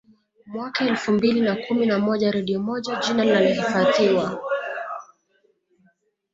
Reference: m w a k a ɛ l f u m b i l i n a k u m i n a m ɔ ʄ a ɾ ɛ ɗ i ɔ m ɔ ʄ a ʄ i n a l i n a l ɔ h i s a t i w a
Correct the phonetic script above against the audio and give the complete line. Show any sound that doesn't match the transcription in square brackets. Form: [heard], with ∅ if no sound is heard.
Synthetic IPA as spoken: m w a k a ɛ l f u m b i l i n a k u m i n a m ɔ ʄ a ɾ ɛ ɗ i ɔ m ɔ ʄ a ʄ i n a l i n a l ɔ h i [f] a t i w a